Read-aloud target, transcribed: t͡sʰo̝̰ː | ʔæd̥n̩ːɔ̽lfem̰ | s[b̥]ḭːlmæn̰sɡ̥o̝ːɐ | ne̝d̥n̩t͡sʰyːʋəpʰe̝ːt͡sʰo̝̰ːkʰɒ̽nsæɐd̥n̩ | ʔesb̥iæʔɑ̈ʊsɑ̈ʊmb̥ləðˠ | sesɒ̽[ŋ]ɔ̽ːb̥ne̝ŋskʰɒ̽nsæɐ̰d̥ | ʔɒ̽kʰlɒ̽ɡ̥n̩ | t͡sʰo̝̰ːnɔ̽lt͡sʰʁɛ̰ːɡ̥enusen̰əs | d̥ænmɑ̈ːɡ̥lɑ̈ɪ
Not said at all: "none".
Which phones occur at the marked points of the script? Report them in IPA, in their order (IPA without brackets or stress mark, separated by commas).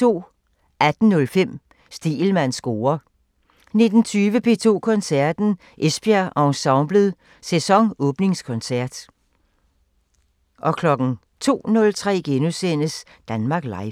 d̥, ŋ